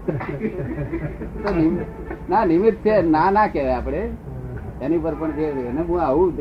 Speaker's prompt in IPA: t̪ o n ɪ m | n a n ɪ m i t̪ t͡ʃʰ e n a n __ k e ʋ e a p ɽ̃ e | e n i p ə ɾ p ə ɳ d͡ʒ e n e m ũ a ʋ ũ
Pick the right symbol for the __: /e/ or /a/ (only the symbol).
a